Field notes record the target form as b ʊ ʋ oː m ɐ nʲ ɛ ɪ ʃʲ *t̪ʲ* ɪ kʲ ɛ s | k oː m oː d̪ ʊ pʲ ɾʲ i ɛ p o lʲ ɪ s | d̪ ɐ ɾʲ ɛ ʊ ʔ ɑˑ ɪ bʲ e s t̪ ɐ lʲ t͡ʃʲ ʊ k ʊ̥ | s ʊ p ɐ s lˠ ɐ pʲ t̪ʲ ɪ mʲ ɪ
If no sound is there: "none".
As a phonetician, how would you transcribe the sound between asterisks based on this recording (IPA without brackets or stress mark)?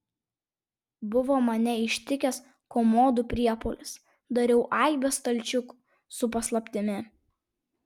t̪ʲ